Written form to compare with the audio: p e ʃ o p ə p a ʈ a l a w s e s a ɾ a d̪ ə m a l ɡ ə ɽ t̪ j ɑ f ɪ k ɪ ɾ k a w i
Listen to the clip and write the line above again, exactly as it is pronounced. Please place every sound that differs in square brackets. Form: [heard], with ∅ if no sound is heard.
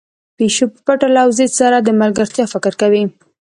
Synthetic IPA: p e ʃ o p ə p a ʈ a l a w [z] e s a ɾ a d̪ ə m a l ɡ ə [ɾ] t̪ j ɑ f ɪ k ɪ ɾ k a w i